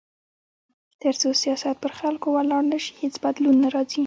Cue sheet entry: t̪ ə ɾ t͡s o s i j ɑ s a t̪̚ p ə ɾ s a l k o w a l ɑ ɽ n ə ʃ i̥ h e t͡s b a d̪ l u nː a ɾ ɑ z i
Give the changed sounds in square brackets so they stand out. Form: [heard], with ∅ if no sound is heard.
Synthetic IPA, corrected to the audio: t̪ ə ɾ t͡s o s i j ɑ s a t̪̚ p ə ɾ [x] a l k o w a l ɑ ɽ n ə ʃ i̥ h e t͡s b a d̪ l u nː a ɾ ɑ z i